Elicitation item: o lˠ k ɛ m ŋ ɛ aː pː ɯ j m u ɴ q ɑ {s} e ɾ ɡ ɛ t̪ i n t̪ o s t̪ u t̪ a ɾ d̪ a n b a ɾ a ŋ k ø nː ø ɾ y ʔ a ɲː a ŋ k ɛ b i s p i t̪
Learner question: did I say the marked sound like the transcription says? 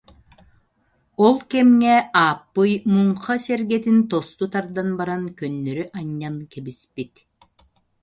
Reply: yes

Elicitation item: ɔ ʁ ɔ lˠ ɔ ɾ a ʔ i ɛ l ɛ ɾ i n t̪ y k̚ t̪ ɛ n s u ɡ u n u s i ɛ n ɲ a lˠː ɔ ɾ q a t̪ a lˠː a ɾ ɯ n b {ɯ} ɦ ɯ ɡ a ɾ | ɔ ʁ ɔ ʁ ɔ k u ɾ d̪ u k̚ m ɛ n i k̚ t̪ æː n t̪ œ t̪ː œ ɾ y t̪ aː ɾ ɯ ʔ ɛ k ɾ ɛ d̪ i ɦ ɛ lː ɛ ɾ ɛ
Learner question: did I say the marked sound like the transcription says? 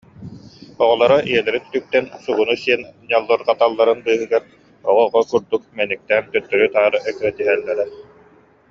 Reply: no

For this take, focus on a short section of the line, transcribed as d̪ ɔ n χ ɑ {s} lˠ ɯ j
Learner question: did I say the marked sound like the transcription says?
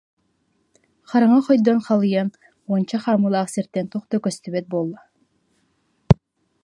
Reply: no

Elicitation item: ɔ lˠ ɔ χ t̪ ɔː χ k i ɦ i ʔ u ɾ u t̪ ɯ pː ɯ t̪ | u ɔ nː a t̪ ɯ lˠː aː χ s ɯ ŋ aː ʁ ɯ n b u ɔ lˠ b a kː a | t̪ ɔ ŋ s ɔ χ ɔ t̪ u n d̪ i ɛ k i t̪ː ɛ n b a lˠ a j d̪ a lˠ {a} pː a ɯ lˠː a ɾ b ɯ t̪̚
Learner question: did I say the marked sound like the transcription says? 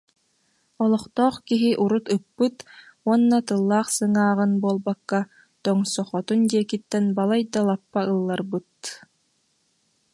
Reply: yes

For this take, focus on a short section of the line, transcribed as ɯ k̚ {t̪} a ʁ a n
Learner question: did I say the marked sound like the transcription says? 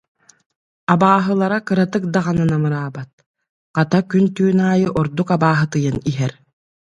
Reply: no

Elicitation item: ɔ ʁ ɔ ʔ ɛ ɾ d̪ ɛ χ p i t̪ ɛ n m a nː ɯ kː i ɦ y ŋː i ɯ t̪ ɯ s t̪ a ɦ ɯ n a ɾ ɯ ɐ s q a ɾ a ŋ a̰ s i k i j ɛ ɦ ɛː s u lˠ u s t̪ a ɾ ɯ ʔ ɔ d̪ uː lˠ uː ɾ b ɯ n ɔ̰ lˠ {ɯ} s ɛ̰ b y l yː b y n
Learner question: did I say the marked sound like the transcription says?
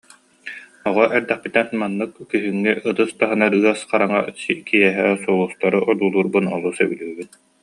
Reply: no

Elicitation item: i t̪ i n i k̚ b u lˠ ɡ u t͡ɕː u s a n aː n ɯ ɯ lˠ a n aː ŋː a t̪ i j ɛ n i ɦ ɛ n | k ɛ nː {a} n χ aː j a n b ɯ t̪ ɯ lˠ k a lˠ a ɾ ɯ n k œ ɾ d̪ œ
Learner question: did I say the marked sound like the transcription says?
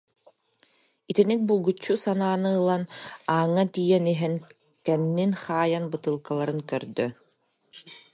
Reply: no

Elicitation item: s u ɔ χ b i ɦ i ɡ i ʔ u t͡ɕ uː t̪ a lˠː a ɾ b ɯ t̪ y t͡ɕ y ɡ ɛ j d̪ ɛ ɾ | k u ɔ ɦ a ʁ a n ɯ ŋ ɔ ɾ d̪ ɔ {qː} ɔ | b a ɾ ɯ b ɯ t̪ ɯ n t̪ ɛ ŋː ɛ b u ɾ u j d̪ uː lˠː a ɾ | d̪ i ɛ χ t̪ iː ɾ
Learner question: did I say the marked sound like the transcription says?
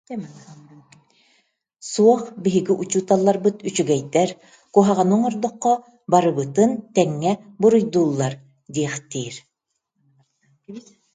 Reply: yes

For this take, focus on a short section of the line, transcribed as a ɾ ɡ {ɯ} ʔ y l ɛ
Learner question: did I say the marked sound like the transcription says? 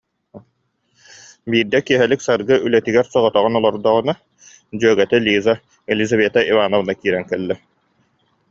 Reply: yes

